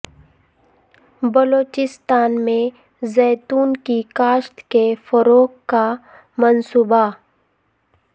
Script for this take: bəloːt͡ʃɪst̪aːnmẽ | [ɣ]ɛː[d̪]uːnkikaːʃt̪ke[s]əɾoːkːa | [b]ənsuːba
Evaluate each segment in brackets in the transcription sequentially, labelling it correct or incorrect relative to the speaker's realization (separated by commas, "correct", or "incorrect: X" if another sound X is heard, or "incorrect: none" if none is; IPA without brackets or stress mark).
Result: incorrect: z, incorrect: t̪, incorrect: f, incorrect: m